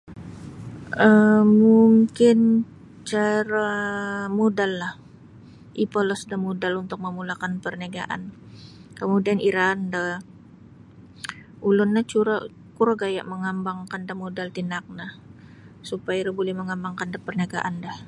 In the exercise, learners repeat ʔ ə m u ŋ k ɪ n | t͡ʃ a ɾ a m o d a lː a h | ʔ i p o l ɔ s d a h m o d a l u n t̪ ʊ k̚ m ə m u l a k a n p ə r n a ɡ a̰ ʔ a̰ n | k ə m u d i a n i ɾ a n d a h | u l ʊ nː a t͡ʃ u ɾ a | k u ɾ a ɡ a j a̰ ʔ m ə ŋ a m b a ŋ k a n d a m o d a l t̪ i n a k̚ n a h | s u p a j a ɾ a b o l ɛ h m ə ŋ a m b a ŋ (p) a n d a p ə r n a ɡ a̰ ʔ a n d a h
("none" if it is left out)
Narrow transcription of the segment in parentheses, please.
k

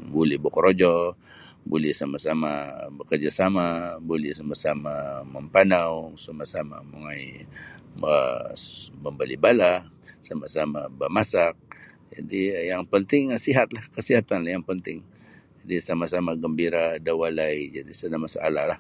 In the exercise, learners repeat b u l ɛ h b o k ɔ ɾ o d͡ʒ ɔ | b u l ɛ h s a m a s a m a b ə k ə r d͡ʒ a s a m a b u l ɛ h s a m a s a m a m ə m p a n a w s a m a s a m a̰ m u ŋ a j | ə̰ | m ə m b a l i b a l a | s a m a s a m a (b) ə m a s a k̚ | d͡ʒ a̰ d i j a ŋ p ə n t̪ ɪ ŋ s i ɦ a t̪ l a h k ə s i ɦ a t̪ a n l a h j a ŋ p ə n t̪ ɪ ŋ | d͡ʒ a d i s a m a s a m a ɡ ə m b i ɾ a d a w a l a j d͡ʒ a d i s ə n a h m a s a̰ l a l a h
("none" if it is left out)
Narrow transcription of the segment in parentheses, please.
b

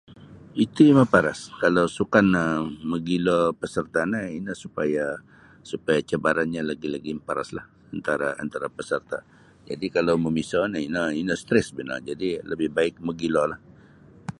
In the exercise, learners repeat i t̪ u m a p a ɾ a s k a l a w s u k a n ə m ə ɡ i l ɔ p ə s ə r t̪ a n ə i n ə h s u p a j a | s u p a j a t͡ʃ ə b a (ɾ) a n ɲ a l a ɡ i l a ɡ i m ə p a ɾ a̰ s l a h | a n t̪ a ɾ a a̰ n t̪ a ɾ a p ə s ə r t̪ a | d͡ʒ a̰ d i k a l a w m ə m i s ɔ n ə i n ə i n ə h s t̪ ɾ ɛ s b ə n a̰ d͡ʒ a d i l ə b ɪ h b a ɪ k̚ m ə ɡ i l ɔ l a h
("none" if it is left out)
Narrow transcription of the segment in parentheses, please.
ɾ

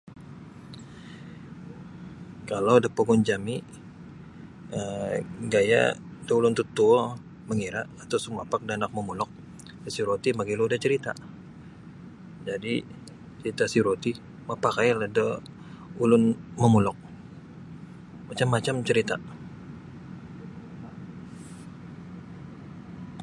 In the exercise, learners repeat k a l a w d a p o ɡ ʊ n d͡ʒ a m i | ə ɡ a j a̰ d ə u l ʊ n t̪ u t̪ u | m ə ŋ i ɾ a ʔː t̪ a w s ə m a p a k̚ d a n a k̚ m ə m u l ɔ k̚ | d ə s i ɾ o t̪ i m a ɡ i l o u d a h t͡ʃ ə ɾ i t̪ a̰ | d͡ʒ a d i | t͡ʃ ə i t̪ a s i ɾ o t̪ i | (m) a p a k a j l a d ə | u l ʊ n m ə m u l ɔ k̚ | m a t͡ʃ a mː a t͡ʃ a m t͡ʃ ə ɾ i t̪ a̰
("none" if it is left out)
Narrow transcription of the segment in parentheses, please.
m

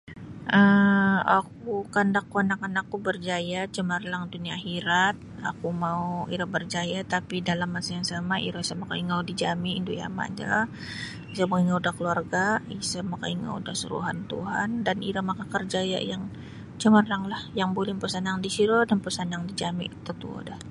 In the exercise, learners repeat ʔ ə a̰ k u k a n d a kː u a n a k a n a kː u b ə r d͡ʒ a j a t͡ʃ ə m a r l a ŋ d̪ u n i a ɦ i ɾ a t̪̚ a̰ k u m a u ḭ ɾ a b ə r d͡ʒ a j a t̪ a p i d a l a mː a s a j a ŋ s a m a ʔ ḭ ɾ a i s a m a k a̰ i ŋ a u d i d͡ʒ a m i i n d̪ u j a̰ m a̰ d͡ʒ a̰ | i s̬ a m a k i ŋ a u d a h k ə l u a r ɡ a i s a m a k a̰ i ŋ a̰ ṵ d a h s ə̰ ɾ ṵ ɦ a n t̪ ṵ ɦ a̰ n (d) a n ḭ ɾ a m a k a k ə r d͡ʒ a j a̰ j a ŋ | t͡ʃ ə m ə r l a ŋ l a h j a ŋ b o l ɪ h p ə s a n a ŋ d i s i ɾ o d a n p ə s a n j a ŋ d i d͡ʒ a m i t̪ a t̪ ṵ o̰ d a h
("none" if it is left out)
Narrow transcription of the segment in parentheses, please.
d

